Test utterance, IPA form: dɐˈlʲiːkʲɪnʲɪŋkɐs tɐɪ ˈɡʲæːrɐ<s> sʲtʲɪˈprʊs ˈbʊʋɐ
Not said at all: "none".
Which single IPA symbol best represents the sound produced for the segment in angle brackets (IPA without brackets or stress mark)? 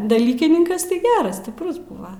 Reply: s